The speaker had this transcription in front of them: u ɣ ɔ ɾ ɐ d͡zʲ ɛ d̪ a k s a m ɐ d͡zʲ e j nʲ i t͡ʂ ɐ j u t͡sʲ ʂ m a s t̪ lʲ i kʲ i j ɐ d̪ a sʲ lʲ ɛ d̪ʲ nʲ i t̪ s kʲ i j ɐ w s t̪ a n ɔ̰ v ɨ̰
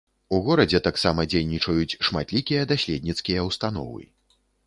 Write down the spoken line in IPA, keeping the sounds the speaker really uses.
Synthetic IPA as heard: u ɣ ɔ ɾ ɐ d͡zʲ ɛ t̪ a k s a m ɐ d͡zʲ e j nʲ i t͡ʂ ɐ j u t͡sʲ ʂ m a t̪ lʲ i kʲ i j ɐ d̪ a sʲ lʲ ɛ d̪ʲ nʲ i t̪ s kʲ i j ɐ w s t̪ a n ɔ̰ v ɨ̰

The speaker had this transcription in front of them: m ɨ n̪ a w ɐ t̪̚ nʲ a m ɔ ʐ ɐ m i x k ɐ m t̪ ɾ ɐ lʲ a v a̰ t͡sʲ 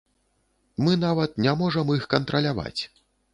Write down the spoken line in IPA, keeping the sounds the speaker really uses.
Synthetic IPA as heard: m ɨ n̪ a v ɐ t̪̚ nʲ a m ɔ ʐ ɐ m i x k ɐ n t̪ ɾ ɐ lʲ a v a̰ t͡sʲ

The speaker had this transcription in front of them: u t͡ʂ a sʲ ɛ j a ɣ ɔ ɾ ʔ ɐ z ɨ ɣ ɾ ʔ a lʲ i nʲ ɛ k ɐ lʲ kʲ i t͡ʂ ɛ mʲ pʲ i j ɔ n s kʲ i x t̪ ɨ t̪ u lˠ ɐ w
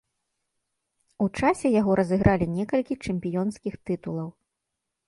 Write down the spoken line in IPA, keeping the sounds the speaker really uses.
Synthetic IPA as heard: u t͡ʂ a sʲ ɛ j a ɣ ɔ ɾ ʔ ɐ z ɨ ɣ ɾ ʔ a lʲ i nʲ ɛ k ɐ lʲ kʲ i t͡ʂ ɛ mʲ pʲ i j ɔ n s kʲ i x t̪ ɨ t̪ u lˠ ɐ w

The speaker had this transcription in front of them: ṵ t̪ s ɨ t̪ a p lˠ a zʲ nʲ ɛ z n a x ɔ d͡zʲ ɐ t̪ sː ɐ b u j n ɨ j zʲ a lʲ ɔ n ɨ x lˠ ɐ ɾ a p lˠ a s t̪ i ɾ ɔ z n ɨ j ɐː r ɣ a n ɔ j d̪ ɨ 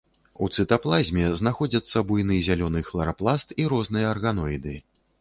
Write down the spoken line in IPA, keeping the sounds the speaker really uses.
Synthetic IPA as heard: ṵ t̪ s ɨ t̪ a p lˠ a zʲ mʲ ɛ z n a x ɔ d͡zʲ ɐ t̪ sː ɐ b u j n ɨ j zʲ a lʲ ɔ n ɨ x lˠ ɐ ɾ a p lˠ a s t̪ i ɾ ɔ z n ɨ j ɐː r ɣ a n ɔ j d̪ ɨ

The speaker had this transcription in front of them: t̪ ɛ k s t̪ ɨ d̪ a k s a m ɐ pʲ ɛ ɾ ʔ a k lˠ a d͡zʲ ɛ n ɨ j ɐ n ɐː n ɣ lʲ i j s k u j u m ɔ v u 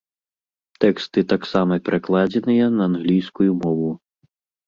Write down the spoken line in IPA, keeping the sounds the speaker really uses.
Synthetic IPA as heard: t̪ ɛ k s t̪ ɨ t̪ a k s a m ɐ pʲ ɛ ɾ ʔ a k lˠ a d͡zʲ ɛ n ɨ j ɐ n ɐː n ɣ lʲ i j s k u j u m ɔ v u

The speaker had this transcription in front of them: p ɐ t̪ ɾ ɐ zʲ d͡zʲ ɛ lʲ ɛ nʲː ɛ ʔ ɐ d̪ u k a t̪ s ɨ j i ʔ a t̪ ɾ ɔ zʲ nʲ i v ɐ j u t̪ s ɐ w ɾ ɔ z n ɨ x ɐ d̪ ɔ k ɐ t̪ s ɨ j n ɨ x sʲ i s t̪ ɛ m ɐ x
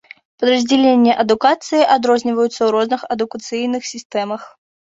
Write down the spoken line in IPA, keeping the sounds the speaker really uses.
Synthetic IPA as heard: p ɐ d̪ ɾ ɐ zʲ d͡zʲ ɛ lʲ e nʲː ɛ ʔ ɐ d̪ u k a t̪ s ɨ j i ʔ a d̪ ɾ ɔ zʲ nʲ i v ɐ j u t̪ s ɐ w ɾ ɔ z n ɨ x ɐ d̪ u k ɐ t̪ s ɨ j n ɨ x sʲ i s t̪ ɛ m ɐ x

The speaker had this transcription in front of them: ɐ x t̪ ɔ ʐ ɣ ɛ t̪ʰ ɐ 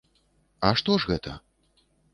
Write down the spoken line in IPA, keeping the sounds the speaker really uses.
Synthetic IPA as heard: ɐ ʂ t̪ ɔ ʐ ɣ ɛ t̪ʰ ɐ

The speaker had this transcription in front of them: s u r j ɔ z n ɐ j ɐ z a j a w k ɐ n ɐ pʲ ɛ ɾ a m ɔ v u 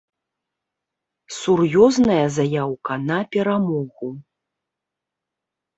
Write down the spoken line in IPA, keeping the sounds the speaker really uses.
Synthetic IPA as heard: s u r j ɔ z n ɐ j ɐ z a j a w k ɐ n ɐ pʲ ɛ ɾ a m ɔ ɣ u

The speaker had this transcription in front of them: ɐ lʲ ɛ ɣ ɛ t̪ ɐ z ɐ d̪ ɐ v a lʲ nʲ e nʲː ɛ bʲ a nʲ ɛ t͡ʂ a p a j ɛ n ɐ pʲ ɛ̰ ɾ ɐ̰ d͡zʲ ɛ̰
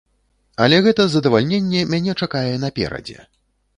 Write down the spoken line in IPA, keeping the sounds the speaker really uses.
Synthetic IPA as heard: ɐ lʲ ɛ ɣ ɛ t̪ ɐ z ɐ d̪ ɐ v a lʲ nʲ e nʲː ɛ mʲ a nʲ ɛ t͡ʂ a k a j ɛ n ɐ pʲ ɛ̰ ɾ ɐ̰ d͡zʲ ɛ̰

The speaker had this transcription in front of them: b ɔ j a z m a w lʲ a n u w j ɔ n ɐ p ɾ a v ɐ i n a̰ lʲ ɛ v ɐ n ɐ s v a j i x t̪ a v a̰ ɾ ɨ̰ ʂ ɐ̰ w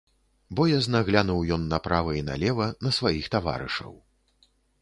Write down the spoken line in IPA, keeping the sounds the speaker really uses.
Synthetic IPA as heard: b ɔ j a z n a ɣ lʲ a n u w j ɔ nː ɐ p ɾ a v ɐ i n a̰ lʲ ɛ v ɐ n ɐ s v a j i x t̪ a v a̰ ɾ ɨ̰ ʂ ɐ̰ w

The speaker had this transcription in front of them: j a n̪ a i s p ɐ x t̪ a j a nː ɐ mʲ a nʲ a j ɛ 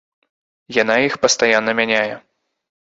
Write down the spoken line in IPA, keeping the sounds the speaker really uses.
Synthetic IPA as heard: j a n̪ a i x p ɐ s t̪ a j a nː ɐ mʲ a nʲ a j ɛ

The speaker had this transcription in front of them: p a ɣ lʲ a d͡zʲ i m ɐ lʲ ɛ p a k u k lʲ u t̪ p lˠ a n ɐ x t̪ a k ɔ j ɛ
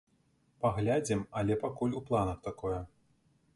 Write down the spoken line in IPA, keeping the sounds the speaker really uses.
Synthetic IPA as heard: p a ɣ lʲ a d͡zʲ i m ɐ lʲ ɛ p a k u lʲ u p lˠ a n ɐ x t̪ a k ɔ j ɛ

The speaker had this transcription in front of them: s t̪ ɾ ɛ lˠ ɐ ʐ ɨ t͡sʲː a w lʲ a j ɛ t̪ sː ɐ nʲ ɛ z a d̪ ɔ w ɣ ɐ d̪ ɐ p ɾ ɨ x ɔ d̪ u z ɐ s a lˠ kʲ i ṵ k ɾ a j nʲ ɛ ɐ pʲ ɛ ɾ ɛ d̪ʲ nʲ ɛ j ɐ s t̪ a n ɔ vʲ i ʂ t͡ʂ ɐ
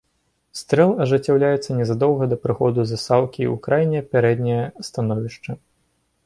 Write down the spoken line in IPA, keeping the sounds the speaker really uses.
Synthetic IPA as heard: s t̪ ɾ ɛ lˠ ɐ ʐ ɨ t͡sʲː a w lʲ a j ɛ t̪ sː ɐ nʲ ɛ z a d̪ ɔ w ɣ ɐ d̪ ɐ p ɾ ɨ x ɔ d̪ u z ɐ s a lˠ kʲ i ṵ k ɾ a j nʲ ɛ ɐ pʲ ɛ ɾ ɛ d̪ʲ nʲ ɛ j ɐ s t̪ a n ɔ vʲ i ʂ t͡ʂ ɐ

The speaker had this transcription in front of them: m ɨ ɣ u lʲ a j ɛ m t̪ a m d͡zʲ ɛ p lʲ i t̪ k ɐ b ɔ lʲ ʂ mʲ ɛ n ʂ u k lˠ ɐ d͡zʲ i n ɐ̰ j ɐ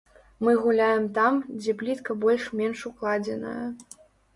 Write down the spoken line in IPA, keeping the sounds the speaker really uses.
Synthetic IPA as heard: m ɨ ɣ u lʲ a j ɛ m t̪ a m d͡zʲ ɛ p lʲ i t̪ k ɐ b ɔ lʲ ʂ mʲ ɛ n ʂ u k lˠ a d͡zʲ ɛ n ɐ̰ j ɐ

